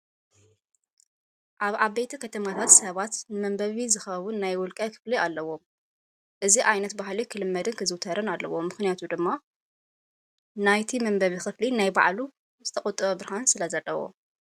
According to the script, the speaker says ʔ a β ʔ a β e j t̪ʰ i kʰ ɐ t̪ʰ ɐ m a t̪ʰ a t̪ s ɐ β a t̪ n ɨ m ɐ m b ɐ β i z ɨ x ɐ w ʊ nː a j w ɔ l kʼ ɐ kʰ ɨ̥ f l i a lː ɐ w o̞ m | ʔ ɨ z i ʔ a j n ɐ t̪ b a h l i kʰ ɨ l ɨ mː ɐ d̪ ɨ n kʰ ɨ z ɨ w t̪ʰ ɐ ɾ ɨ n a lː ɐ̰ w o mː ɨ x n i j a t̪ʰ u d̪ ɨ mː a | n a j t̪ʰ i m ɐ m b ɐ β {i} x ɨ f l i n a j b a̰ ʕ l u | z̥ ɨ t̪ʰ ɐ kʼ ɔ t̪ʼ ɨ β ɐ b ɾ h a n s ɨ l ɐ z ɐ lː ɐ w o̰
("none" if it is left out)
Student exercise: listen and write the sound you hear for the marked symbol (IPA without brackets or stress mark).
i